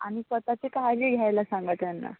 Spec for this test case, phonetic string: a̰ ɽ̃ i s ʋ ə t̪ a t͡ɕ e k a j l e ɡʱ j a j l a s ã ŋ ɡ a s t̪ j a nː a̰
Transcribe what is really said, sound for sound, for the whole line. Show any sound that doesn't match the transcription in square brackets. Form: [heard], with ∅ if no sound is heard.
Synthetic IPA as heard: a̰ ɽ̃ i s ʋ ə t̪ a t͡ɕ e k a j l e ɡʱ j a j l a s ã ŋ ɡ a [∅] t̪ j a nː a̰

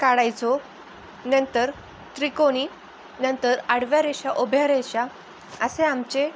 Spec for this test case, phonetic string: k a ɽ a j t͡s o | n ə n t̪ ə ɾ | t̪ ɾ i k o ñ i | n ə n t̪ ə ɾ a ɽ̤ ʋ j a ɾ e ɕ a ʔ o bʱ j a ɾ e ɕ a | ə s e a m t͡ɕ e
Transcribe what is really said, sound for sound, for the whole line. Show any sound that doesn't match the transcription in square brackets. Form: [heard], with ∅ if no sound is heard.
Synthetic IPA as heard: k a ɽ a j t͡s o | n ə n t̪ ə ɾ | t̪ ɾ i k o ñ i | n ə n t̪ ə ɾ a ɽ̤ ʋ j a ɾ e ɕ a ʔ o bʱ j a ɾ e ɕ a | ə s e a m t͡ɕ e

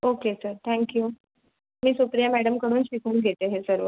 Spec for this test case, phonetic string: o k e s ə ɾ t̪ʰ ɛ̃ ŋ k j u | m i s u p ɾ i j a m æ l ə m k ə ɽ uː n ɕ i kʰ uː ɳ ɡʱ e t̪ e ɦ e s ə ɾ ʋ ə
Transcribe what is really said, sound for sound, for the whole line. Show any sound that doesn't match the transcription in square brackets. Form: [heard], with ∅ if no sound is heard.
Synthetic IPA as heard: o k e s ə ɾ t̪ʰ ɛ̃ ŋ k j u | m [iː] s u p ɾ i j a m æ [ɽ] ə m k ə ɽ uː n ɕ i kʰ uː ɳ ɡʱ e t̪ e ɦ e s ə ɾ ʋ ə

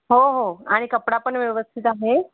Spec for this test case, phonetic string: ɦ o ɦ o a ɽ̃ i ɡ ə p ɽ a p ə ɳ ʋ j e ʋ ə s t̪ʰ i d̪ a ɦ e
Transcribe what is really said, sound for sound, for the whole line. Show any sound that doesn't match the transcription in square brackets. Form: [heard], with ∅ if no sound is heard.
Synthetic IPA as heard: ɦ o ɦ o a ɽ̃ i [k] ə p ɽ a p ə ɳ ʋ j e ʋ ə s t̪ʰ i [t̪] a ɦ e

